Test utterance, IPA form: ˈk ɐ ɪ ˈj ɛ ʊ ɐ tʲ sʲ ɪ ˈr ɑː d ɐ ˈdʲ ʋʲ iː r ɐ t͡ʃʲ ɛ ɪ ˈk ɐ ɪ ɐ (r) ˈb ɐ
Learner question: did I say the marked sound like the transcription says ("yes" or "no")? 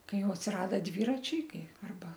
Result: yes